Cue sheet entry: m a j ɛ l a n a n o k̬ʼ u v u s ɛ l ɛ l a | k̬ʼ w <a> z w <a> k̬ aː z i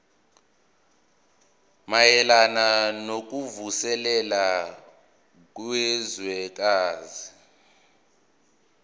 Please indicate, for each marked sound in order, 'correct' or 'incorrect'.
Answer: incorrect, incorrect

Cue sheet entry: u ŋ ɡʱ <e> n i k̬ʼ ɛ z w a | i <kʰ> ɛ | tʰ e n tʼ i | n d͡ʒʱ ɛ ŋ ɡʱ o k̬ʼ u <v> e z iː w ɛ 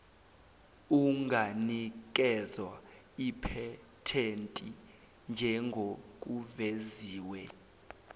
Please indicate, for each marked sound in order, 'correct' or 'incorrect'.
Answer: incorrect, incorrect, correct

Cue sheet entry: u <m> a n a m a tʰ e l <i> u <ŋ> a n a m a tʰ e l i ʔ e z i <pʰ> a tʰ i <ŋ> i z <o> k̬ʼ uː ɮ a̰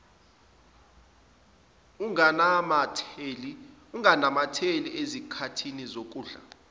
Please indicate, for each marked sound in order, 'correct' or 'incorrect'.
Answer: incorrect, correct, correct, incorrect, incorrect, correct

